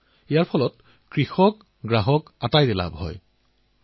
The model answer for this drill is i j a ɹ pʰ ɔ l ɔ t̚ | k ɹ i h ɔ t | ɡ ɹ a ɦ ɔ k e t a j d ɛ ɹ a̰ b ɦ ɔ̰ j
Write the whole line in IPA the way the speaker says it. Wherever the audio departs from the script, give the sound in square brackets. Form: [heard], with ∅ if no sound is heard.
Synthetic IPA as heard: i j a ɹ pʰ ɔ l ɔ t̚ | k ɹ i [x] ɔ [k] | ɡ ɹ a ɦ ɔ k [a] t a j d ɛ [l] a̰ b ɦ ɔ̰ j